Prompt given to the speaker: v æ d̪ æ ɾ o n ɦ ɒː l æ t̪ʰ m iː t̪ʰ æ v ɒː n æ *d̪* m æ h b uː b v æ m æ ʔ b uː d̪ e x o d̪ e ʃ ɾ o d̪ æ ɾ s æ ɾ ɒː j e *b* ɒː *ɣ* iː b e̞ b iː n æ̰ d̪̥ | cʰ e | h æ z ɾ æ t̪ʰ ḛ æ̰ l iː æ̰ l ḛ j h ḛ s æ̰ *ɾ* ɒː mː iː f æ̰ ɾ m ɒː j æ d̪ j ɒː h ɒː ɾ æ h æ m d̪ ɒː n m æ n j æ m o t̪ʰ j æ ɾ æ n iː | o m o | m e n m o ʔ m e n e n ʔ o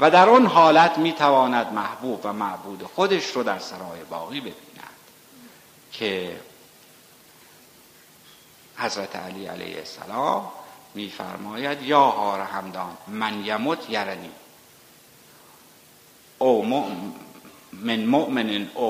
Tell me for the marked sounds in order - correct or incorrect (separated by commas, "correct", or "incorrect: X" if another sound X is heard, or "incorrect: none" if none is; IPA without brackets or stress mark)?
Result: correct, correct, correct, incorrect: l